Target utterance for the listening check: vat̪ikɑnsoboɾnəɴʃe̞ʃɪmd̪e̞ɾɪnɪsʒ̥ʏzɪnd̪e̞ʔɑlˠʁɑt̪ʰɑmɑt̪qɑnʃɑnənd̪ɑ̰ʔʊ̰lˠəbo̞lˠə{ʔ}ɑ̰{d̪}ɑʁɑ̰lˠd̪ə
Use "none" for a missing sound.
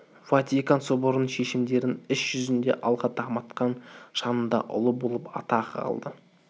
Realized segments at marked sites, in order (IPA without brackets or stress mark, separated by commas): p, t̪